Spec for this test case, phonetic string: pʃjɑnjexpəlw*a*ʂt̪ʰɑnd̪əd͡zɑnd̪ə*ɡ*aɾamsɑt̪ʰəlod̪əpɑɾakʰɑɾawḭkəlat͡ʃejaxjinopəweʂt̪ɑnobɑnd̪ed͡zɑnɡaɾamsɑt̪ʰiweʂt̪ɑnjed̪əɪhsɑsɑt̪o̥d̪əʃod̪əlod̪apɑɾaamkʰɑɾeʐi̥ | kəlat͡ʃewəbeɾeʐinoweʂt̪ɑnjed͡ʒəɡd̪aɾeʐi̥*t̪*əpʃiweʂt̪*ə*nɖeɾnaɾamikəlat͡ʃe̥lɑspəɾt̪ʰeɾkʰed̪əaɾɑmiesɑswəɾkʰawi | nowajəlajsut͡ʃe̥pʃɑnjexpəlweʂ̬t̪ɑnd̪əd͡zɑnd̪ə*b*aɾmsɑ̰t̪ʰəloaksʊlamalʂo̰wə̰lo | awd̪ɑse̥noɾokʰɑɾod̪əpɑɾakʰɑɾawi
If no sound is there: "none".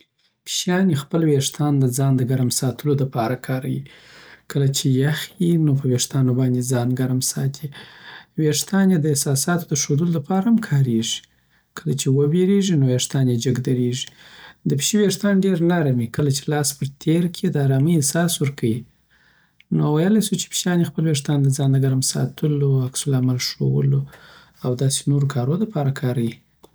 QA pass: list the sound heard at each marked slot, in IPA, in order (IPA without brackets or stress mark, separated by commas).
e, ɡ, d̪, ɑ, ɡ